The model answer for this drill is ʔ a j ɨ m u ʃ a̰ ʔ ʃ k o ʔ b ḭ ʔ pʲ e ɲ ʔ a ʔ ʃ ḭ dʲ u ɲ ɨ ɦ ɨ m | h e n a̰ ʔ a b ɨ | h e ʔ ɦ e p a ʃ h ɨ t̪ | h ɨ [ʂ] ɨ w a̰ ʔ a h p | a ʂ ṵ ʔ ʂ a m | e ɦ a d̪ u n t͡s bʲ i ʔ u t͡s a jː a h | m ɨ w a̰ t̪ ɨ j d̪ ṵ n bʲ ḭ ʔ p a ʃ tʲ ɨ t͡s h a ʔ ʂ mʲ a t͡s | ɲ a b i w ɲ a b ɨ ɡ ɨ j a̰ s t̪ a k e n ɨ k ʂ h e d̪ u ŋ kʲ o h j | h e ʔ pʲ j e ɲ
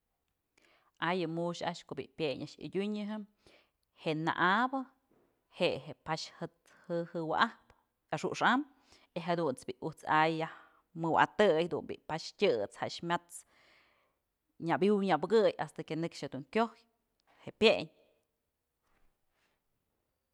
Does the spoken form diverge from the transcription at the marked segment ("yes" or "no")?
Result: yes